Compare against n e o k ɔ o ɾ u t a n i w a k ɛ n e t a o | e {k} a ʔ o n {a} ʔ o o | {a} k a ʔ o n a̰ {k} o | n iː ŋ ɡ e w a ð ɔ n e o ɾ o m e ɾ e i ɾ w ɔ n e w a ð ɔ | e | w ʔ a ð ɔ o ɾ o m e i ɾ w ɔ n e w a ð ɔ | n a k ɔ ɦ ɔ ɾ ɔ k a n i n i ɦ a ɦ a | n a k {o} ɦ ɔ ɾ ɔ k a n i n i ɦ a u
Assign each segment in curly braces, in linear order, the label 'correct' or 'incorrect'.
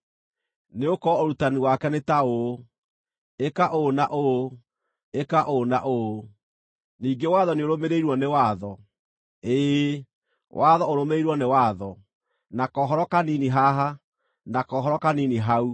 correct, correct, incorrect: e, incorrect: ʔ, incorrect: ɔ

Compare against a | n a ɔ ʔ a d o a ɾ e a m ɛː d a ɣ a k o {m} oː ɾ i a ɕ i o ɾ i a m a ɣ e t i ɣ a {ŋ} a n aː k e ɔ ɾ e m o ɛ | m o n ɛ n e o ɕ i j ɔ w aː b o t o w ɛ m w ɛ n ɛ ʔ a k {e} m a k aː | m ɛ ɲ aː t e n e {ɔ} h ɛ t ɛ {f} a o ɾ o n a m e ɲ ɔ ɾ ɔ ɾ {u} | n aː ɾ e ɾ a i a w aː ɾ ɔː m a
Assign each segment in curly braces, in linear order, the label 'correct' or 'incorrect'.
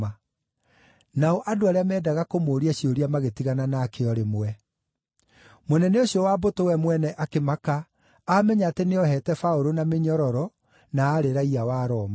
correct, incorrect: n, correct, correct, correct, incorrect: ɔ

